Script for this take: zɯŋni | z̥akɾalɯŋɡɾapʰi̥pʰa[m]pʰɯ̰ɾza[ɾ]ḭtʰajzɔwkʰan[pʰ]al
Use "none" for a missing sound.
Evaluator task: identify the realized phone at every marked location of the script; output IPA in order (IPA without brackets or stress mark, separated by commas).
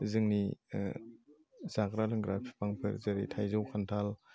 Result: ŋ, ɾ, tʰ